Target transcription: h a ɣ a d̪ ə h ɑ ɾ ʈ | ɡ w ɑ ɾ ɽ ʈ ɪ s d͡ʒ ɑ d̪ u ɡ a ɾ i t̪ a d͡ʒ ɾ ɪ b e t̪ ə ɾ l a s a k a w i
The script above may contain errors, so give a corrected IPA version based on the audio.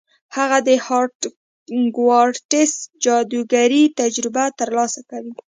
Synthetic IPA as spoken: h a ɣ a d̪ ə h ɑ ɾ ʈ | ɡ w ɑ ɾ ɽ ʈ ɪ s d͡ʒ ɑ d̪ u ɡ a ɾ i t̪ a d͡ʒ ɾ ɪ b a t̪ ə ɾ l ɑ s a k a w i